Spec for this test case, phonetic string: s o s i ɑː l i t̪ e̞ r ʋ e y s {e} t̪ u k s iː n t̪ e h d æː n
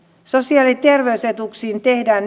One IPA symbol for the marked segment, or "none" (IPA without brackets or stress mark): e